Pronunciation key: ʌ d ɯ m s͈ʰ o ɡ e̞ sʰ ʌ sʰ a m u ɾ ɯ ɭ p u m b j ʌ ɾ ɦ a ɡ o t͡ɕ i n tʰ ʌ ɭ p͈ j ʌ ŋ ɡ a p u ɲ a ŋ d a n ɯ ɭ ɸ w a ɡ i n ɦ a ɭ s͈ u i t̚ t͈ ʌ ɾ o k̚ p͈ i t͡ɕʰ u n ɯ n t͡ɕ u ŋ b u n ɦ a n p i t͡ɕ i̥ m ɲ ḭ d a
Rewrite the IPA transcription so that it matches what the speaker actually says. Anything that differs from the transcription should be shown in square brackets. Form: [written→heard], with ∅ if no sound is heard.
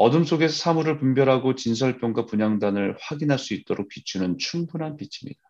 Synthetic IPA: ʌ d ɯ m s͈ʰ o ɡ e̞ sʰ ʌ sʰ a m u ɾ ɯ ɭ p u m b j ʌ ɾ ɦ a ɡ o t͡ɕ i n [tʰ→sʰ] ʌ ɭ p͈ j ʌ ŋ ɡ a p u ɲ a ŋ d a n ɯ ɭ ɸ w a ɡ i n ɦ a ɭ s͈ u i t̚ t͈ ʌ ɾ o k̚ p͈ i t͡ɕʰ u n ɯ n [t͡ɕ→t͡ɕʰ] u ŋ b u n ɦ a n p i [t͡ɕ→t͡ɕʰ] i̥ m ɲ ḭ d a